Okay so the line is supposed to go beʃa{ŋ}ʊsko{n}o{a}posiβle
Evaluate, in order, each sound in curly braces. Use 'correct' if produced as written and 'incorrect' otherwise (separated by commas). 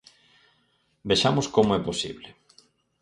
incorrect, incorrect, incorrect